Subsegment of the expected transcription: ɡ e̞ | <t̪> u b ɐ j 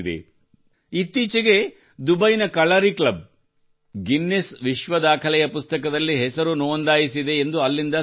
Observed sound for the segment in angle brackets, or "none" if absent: d̪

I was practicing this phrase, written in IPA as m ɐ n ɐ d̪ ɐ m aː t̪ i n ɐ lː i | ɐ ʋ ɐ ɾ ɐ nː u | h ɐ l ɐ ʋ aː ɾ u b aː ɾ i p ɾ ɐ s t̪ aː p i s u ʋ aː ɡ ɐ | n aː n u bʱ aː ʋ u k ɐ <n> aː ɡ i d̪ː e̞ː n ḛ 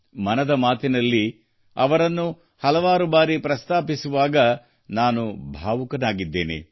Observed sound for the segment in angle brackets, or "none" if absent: n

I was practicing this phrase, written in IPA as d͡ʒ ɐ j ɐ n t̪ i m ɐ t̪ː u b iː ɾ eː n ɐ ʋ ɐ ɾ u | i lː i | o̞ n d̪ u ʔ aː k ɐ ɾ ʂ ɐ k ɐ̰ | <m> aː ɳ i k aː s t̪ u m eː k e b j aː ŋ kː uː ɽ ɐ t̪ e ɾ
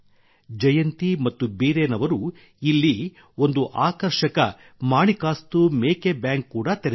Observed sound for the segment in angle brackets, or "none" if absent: m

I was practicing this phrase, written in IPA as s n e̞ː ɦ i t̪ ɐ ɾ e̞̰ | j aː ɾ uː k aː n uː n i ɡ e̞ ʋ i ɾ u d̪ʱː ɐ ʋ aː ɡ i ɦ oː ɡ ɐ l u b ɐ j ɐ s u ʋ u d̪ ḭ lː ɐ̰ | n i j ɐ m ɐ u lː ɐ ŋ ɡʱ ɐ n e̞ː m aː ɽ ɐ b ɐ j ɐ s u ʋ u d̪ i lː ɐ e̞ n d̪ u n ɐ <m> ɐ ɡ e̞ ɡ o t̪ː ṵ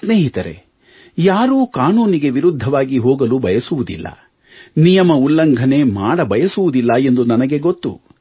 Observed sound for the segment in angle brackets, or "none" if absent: n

